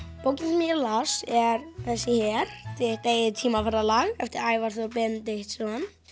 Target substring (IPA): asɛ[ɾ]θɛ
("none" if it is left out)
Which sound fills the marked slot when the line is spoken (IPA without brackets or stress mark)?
ɾ